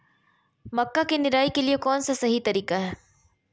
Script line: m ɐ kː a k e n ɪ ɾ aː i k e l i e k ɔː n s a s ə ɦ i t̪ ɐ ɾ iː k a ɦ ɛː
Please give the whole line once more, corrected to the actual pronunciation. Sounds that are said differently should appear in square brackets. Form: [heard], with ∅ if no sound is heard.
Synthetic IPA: m ɐ kː a k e n ɪ ɾ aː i k e l i e k ɔː n s a s [ɐ] ɦ i t̪ ɐ ɾ iː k a ɦ ɛː